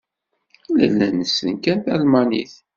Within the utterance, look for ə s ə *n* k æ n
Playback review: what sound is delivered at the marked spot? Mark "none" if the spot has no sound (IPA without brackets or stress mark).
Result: n